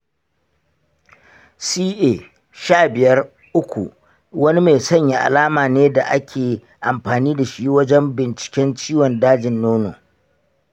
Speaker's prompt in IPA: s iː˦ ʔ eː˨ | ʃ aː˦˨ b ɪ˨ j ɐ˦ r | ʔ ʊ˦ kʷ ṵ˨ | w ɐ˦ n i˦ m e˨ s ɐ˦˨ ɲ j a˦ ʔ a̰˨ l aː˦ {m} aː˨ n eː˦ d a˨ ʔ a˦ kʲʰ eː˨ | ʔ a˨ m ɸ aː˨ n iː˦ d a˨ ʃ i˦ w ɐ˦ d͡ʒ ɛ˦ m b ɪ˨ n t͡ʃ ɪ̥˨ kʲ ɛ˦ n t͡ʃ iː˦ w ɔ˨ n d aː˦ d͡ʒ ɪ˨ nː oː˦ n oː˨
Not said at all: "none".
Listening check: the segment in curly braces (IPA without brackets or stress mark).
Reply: m